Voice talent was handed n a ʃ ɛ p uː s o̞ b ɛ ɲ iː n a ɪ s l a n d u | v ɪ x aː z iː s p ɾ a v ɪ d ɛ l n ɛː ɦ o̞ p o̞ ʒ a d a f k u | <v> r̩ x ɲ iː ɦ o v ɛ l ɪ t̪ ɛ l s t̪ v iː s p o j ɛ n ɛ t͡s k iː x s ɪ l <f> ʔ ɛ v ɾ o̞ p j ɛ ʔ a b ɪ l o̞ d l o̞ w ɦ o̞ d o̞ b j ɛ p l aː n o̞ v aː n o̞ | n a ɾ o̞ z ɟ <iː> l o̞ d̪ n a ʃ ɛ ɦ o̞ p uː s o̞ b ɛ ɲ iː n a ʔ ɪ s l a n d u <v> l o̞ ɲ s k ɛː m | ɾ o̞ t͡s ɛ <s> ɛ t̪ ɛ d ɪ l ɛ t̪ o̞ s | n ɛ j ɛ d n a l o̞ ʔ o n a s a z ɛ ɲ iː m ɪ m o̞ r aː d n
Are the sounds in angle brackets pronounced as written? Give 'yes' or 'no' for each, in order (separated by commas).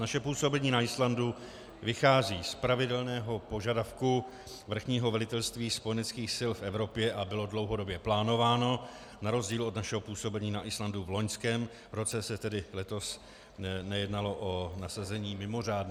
yes, yes, yes, yes, yes